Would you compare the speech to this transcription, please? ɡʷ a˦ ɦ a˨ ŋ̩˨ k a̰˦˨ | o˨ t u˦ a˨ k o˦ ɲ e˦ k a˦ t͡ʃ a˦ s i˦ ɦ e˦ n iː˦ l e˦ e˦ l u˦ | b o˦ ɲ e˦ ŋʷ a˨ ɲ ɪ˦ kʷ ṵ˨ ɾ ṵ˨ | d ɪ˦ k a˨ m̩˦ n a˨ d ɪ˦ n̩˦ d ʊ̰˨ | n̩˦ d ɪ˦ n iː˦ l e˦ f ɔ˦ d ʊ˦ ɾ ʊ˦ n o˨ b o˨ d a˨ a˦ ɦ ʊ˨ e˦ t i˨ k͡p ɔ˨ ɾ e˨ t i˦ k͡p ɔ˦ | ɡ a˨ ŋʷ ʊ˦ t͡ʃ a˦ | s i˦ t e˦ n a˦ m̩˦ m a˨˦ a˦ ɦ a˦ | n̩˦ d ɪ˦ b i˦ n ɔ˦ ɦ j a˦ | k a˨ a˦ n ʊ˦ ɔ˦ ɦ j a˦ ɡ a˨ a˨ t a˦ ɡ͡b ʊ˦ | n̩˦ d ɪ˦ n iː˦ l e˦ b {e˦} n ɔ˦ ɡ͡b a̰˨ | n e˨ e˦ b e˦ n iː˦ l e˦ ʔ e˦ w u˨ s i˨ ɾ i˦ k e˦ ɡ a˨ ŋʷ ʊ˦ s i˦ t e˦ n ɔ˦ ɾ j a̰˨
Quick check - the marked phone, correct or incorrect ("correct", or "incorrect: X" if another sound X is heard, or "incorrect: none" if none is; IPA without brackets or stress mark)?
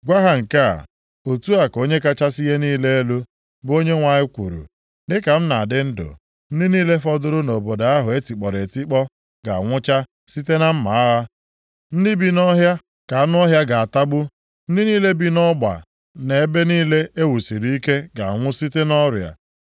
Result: incorrect: i˦